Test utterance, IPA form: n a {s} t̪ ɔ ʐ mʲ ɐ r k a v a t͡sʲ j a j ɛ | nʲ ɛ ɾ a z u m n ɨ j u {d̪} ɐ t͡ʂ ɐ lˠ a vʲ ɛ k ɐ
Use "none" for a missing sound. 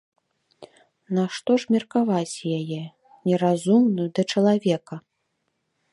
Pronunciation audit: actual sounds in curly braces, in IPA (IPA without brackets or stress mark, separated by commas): ʂ, d̪